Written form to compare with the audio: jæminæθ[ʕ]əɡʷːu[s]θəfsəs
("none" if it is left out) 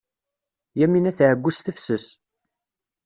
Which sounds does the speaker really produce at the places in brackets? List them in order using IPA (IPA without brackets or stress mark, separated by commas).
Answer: ʕ, s